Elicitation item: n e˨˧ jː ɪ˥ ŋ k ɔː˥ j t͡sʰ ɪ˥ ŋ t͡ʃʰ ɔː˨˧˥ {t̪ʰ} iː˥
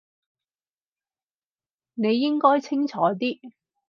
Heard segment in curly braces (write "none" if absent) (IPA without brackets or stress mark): t̪